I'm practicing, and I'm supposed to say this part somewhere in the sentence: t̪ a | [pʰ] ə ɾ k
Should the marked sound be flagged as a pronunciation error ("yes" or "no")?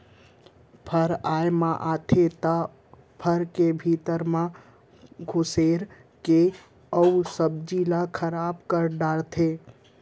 no